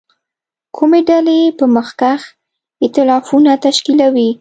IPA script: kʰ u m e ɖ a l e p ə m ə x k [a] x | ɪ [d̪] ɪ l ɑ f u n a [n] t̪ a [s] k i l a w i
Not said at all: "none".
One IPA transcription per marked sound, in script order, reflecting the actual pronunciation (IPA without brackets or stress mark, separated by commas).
a, t̪, none, ʃ